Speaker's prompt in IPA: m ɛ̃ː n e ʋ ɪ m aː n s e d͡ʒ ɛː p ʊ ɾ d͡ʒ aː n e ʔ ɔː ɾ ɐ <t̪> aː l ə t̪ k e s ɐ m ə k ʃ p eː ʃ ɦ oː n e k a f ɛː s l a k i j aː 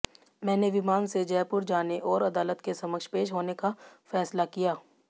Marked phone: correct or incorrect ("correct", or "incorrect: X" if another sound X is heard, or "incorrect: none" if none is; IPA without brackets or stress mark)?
incorrect: d̪